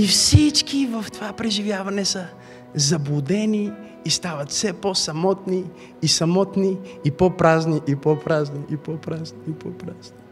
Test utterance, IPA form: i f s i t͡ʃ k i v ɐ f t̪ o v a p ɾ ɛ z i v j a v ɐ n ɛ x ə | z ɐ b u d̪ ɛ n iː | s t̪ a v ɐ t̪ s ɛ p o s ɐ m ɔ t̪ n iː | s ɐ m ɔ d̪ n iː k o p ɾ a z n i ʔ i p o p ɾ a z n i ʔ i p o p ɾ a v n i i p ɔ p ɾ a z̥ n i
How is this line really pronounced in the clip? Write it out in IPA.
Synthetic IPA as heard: i f s i t͡ʃ k i v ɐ f t̪ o v a p ɾ ɛ ʒ i v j a v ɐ n ɛ s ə | z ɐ b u d̪ ɛ n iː | s t̪ a v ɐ t̪ s ɛ p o s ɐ m ɔ t̪ n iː | s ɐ m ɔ t̪ n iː p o p ɾ a z n i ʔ i p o p ɾ a z n i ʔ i p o p ɾ a z n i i p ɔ p ɾ a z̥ n i